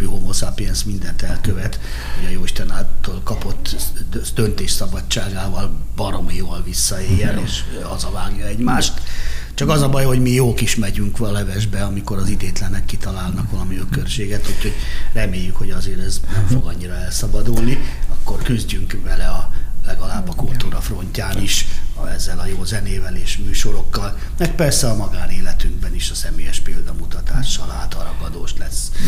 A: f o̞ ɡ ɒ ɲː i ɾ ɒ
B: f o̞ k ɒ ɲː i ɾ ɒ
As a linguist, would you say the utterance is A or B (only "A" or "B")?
A